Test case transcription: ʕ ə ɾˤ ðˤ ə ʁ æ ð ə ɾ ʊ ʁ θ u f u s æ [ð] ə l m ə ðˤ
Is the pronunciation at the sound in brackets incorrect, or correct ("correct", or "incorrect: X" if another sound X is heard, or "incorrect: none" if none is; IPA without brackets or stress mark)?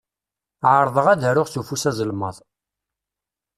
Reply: incorrect: z